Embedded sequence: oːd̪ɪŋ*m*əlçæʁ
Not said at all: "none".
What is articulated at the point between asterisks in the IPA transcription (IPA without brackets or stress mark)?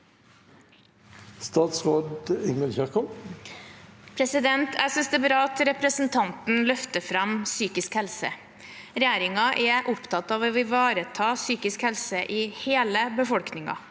m